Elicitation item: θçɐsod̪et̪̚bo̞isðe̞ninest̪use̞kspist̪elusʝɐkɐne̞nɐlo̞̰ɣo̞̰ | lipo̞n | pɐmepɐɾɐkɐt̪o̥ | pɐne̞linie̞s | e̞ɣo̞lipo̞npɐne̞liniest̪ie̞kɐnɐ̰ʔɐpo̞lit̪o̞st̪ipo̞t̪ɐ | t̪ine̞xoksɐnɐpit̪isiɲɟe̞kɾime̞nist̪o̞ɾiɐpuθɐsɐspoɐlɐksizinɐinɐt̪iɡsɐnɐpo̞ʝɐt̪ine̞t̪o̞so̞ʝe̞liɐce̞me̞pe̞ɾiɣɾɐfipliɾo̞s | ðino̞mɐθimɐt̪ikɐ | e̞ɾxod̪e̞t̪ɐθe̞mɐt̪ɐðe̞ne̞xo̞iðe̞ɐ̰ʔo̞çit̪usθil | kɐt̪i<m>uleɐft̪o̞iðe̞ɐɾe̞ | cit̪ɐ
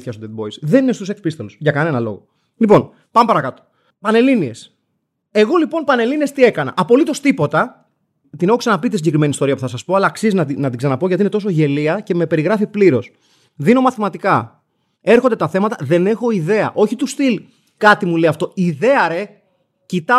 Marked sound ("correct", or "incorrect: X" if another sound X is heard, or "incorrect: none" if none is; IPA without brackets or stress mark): correct